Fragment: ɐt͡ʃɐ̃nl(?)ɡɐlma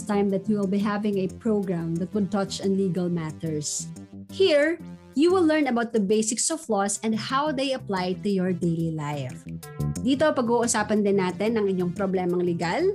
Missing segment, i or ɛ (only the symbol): i